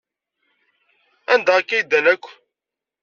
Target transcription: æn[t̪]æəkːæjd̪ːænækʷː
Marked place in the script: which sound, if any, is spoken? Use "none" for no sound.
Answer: d̪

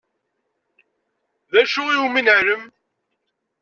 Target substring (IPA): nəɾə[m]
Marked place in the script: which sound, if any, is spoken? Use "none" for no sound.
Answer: m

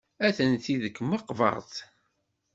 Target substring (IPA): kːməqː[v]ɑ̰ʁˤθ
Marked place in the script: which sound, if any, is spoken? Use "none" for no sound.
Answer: v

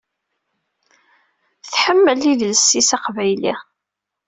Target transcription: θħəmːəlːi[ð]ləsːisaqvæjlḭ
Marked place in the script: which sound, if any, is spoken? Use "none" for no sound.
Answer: ð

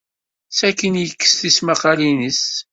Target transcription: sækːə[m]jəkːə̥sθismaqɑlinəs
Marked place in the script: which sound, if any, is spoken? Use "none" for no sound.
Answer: n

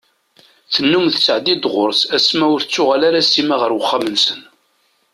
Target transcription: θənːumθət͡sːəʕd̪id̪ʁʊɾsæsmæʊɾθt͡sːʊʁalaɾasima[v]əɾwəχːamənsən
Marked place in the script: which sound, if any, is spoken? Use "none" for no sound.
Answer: ʁ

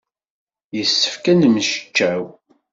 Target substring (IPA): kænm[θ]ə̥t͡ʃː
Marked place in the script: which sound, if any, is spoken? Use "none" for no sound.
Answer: ʃ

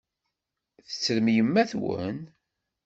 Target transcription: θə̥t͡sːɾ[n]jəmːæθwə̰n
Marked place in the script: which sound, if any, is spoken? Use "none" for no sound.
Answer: m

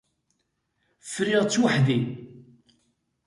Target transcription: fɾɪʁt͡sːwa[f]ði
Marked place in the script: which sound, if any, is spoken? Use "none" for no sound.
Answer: ħ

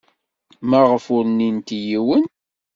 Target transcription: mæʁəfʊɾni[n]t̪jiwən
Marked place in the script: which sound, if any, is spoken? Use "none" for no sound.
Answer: n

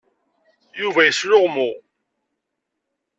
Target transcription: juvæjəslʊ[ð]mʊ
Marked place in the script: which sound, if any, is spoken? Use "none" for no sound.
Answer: ʁ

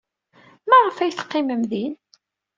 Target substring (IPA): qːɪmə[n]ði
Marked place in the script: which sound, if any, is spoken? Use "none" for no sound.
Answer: m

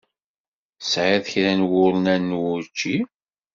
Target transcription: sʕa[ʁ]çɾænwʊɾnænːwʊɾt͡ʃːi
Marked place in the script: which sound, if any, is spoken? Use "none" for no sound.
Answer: ð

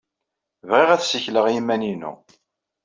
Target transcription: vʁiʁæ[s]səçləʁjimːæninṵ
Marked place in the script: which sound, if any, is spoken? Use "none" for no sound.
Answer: θ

